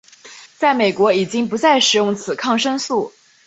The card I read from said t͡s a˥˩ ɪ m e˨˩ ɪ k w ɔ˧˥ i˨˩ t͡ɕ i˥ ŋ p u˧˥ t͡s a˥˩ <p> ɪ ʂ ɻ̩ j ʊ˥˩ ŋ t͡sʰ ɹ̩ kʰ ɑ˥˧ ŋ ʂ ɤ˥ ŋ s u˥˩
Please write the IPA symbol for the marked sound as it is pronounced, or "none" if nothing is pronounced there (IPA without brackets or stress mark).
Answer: none